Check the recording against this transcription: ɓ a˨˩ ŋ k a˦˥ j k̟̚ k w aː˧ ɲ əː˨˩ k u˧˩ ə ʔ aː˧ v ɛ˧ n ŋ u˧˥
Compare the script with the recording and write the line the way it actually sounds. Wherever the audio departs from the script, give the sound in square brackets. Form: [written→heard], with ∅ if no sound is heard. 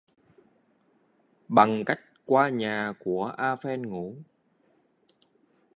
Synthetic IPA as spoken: ɓ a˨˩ ŋ k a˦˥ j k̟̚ k w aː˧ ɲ [əː˨˩→aː˨˩] k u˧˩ ə ʔ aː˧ [v→f] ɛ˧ n ŋ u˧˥